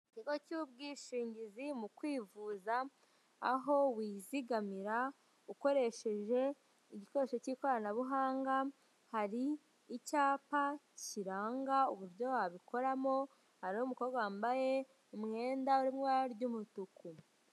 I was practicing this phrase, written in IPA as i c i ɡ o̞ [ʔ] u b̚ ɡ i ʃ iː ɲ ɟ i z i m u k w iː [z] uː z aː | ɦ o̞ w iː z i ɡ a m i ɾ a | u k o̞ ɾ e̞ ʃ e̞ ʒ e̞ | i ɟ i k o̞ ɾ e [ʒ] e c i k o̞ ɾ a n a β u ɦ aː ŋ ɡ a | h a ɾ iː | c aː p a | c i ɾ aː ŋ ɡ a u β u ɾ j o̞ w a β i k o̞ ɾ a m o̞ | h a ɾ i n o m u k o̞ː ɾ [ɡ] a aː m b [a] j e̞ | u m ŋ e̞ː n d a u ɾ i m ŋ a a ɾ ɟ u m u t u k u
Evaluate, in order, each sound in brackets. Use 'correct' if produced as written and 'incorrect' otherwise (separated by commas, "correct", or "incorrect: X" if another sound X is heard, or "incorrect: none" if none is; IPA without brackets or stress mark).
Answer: incorrect: c, incorrect: v, incorrect: ʃ, correct, correct